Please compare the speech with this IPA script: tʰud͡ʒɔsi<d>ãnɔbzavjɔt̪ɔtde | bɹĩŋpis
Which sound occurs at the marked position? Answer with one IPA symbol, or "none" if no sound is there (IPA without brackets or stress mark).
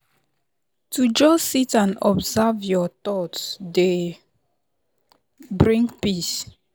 t